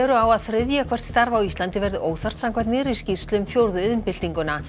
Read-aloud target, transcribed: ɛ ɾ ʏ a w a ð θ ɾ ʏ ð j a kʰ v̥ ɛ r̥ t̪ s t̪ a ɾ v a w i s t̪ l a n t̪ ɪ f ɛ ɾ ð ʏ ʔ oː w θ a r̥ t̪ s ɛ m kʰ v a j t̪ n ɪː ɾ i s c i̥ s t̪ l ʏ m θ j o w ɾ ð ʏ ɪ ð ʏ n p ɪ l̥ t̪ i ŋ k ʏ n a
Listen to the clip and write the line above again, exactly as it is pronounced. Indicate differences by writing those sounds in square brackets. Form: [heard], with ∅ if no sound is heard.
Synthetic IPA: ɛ ɾ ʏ a w a ð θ ɾ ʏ ð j a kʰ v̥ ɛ r̥ t̪ s t̪ a ɾ v a w i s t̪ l a n t̪ ɪ [v] ɛ ɾ ð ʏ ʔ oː w θ a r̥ t̪ s [a] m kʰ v a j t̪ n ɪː ɾ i s c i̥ s t̪ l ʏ m [f] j o w ɾ ð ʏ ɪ ð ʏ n p ɪ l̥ t̪ i ŋ k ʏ n a